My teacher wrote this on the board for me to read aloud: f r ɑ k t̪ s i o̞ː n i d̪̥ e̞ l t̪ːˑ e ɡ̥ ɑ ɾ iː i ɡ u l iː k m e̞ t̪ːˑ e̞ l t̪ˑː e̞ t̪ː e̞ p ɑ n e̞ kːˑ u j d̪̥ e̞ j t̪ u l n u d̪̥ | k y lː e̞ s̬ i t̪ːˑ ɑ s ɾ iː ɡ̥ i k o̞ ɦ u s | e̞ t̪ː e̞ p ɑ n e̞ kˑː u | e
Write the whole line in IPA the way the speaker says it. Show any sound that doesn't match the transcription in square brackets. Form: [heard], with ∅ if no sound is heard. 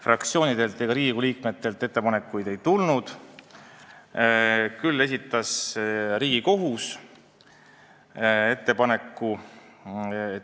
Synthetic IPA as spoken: f r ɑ k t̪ s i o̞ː n i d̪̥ e̞ l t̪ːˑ e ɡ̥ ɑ ɾ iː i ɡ u l iː k m e̞ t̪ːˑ e̞ l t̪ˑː e̞ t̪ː e̞ p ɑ n e̞ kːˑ u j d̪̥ e̞ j t̪ u l n u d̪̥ | k y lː e̞ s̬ i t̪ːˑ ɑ s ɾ iː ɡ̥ i k o̞ ɦ u s | e̞ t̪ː e̞ p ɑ n e̞ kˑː u | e